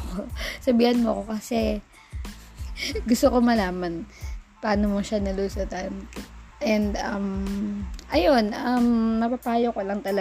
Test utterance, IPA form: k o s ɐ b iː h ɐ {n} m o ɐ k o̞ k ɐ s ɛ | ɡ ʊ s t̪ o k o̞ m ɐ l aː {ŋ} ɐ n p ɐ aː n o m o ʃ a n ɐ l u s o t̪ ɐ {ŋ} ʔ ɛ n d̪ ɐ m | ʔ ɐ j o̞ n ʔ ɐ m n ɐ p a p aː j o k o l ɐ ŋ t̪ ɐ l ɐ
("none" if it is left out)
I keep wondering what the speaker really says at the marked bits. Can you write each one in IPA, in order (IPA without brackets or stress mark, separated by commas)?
n, m, n